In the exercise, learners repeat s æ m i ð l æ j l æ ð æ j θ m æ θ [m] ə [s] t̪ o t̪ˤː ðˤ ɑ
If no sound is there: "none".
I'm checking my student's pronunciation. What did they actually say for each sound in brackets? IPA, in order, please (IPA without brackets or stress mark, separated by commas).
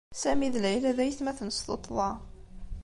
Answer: n, s